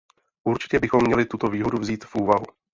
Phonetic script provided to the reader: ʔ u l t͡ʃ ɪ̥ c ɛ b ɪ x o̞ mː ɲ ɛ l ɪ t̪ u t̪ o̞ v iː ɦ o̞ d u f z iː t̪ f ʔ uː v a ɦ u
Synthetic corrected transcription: ʔ u ɾ t͡ʃ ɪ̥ c ɛ b ɪ x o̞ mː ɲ ɛ l ɪ t̪ u t̪ o̞ v iː ɦ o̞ d u v z iː t̪ f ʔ uː v a ɦ u